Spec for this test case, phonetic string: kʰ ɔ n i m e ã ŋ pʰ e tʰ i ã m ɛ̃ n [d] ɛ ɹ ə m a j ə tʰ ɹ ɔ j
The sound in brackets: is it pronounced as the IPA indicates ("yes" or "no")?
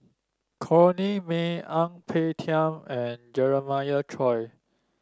no